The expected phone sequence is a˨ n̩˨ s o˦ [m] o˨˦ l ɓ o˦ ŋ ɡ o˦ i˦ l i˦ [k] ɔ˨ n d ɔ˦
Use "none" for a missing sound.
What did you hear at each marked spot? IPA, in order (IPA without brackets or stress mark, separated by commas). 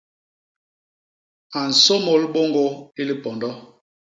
m, p